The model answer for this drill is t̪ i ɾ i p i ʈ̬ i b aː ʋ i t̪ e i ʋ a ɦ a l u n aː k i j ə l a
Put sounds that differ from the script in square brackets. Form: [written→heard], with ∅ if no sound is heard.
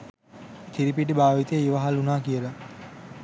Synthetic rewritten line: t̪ i ɾ i p i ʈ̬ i b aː ʋ i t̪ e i ʋ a ɦ a l u n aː k i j ə l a